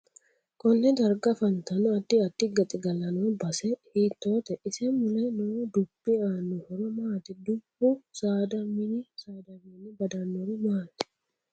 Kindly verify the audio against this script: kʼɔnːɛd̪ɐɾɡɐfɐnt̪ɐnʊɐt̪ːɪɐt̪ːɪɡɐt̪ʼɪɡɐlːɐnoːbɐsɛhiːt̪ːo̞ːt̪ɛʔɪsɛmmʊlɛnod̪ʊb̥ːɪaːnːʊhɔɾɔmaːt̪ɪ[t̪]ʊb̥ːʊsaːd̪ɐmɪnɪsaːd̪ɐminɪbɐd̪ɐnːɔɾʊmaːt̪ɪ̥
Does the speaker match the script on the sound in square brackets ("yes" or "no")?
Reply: no